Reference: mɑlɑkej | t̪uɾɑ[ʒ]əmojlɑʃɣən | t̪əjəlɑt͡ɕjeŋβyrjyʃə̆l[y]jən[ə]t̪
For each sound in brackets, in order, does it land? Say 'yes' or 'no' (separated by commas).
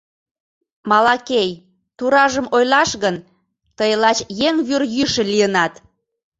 yes, no, no